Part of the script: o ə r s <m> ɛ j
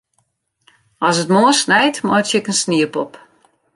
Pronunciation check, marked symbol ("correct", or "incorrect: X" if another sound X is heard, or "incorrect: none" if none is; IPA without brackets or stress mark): incorrect: n